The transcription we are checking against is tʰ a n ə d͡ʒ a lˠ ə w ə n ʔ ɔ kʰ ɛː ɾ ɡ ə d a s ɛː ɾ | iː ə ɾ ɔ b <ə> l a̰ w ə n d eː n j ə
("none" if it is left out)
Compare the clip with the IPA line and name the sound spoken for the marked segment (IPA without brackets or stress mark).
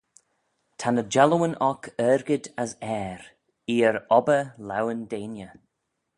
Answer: ə